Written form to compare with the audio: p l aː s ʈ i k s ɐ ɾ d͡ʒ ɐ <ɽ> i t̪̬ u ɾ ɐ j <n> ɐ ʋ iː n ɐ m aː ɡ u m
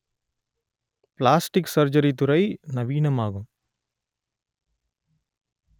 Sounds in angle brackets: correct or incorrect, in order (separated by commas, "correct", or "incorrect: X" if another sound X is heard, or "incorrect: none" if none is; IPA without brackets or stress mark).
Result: incorrect: ɾ, correct